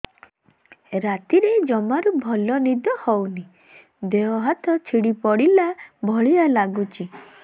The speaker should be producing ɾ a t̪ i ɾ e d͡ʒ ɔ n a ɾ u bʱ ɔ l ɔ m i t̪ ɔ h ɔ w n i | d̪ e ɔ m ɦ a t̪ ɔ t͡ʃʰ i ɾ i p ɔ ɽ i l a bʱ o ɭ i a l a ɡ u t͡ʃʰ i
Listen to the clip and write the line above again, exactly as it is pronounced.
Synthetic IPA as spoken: ɾ a t̪ i ɾ e d͡ʒ ɔ m a ɾ u bʱ ɔ l ɔ n i d̪ ɔ h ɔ w n i | d̪ e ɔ ɦ a t̪ ɔ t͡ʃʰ i ɽ i p ɔ ɽ i l a bʱ ɔ ɭ i a l a ɡ u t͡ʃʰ i